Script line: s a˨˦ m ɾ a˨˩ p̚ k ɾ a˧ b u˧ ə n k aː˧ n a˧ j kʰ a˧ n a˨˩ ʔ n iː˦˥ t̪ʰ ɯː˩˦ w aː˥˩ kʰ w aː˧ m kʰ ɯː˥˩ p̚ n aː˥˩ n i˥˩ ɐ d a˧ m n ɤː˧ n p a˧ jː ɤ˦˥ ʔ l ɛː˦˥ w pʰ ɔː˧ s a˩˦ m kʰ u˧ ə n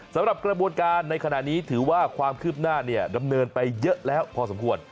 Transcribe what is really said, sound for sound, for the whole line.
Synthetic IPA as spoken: s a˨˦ m ɾ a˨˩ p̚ k ɾ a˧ b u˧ ə n k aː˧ nː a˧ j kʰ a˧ n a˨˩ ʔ n iː˦˥ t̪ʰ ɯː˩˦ w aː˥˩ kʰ w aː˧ m kʰ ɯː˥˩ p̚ n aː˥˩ n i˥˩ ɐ d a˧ m n ɤː˧ n p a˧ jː ɤ˦˥ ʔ l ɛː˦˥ w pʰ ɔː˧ s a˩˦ m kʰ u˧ ə n